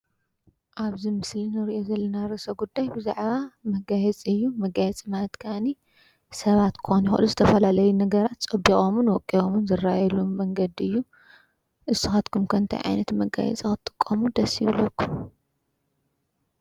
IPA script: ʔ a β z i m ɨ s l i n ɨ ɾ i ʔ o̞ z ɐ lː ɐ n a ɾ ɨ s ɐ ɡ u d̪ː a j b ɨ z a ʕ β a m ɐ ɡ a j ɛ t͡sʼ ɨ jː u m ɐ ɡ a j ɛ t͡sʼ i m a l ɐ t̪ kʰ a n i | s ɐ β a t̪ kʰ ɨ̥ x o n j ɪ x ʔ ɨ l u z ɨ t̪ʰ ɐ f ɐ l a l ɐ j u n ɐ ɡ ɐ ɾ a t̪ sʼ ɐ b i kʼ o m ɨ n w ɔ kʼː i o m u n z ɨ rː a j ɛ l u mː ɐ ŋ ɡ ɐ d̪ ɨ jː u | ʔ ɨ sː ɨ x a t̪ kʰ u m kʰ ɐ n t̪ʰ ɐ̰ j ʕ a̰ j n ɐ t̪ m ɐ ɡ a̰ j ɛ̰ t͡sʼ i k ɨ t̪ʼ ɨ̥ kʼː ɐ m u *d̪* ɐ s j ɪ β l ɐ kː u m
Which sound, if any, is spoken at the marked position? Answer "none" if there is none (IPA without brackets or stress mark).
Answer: d̪